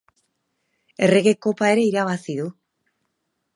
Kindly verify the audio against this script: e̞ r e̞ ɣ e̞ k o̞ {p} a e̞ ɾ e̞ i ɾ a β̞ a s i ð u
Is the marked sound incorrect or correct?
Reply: correct